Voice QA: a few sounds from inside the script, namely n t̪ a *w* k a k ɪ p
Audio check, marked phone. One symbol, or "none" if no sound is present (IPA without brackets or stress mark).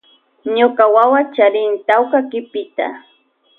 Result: w